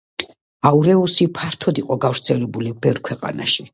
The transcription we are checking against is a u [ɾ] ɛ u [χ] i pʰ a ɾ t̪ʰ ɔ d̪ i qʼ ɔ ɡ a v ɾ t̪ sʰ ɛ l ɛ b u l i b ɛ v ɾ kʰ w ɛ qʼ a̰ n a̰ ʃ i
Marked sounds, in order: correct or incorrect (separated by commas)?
correct, incorrect